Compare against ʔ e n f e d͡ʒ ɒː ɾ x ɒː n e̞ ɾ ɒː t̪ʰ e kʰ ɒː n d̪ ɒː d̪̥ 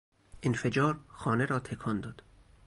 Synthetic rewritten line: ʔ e n f e d͡ʒ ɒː ɾ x ɒː n e̞ ɾ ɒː t̪ʰ e kʰ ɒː n d̪ ɒː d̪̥